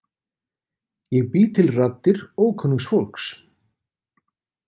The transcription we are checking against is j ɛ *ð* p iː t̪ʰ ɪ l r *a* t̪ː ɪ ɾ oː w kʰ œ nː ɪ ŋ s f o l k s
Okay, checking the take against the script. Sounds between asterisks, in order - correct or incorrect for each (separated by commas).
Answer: incorrect, correct